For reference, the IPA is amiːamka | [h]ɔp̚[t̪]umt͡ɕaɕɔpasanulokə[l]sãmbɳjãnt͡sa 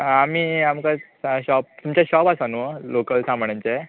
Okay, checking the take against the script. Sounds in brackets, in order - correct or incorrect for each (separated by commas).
incorrect, correct, correct